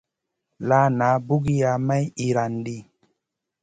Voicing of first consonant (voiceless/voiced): voiced